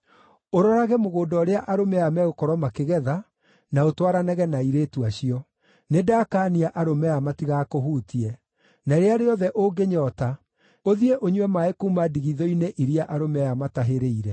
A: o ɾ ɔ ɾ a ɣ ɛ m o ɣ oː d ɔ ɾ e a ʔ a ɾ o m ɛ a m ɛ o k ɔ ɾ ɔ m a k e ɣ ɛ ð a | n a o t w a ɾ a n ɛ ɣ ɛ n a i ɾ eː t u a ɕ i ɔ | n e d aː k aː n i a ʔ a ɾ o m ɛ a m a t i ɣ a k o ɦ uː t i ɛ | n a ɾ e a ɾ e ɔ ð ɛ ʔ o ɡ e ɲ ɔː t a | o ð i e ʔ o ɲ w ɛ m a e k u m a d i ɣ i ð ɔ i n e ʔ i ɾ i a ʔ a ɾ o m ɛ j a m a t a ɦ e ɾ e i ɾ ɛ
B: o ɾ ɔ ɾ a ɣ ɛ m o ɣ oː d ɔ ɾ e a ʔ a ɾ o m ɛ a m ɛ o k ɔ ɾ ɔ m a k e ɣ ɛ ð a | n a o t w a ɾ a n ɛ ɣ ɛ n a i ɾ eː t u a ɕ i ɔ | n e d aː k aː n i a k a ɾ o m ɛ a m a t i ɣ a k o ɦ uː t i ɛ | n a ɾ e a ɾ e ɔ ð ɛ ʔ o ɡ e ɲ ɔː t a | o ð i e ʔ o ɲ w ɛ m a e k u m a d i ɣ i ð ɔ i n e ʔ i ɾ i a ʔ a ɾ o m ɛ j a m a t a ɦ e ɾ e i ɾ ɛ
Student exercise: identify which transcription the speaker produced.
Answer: A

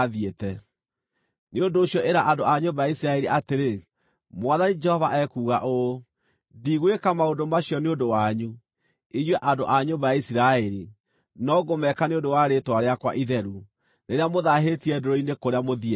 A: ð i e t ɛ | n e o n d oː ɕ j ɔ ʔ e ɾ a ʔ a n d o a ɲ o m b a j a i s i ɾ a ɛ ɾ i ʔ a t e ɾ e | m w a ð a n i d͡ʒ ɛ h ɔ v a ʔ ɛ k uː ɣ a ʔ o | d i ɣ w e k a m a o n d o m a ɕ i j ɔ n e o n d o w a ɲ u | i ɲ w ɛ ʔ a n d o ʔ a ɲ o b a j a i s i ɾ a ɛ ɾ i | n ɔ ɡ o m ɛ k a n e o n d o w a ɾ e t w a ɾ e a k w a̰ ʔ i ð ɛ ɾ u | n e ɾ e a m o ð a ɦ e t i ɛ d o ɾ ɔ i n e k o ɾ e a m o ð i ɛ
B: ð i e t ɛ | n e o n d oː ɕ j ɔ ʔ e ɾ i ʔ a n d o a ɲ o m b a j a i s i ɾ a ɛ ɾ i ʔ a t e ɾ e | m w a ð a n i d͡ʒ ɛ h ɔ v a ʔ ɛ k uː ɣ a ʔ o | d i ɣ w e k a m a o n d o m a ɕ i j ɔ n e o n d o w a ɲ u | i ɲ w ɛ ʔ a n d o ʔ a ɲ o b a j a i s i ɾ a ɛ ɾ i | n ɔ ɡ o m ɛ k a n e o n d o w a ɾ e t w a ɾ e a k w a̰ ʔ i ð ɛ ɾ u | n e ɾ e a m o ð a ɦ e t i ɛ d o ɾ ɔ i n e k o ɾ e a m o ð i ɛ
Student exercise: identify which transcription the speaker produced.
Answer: A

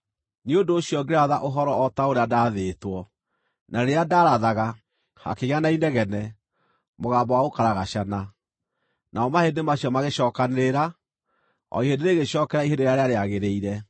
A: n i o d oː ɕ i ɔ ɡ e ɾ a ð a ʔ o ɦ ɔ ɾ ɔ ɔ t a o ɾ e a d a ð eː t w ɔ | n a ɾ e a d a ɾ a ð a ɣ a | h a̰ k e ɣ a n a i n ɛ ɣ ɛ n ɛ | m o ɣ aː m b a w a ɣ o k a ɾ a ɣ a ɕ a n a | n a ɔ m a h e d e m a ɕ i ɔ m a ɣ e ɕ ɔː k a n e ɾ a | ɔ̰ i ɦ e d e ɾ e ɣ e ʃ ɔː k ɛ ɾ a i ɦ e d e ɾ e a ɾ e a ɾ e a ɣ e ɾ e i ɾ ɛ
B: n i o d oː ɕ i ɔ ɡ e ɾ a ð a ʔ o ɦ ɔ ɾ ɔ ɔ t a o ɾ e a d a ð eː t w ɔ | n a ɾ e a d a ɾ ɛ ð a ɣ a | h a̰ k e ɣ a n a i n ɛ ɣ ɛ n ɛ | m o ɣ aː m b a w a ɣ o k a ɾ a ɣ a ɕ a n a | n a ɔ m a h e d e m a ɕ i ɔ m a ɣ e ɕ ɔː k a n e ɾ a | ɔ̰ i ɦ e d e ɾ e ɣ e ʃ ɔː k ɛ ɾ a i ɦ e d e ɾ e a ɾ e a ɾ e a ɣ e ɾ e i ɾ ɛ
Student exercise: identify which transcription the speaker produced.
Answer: A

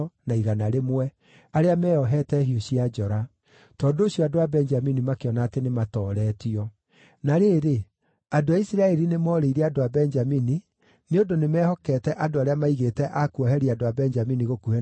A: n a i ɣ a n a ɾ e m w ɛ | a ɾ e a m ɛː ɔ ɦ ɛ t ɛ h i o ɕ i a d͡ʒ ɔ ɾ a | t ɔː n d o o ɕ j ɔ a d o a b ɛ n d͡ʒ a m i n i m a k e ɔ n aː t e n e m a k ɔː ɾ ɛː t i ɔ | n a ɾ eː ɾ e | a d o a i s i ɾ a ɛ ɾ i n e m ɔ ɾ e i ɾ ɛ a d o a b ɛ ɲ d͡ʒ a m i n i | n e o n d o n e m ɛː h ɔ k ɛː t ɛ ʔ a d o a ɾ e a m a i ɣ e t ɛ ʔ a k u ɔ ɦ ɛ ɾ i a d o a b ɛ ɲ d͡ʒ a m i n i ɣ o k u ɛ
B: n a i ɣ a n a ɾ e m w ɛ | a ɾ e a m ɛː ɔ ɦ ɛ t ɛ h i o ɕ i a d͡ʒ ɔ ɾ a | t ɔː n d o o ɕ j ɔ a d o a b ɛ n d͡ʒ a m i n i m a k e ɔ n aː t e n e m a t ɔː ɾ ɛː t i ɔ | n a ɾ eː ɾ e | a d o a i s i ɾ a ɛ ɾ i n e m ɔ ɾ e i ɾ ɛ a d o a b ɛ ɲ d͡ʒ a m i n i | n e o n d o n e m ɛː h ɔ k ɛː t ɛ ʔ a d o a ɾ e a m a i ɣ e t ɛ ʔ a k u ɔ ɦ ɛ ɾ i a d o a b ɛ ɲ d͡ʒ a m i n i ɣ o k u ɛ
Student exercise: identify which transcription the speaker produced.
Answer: B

